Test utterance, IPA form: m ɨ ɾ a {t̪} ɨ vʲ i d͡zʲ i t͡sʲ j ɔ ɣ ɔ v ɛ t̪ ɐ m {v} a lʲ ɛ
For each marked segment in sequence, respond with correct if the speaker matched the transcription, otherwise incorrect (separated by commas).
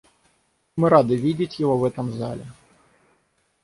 incorrect, incorrect